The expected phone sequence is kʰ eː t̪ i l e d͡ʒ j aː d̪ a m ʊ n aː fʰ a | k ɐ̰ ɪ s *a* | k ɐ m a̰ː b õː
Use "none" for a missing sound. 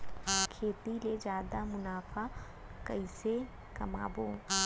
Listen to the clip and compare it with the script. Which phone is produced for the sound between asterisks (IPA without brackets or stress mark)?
e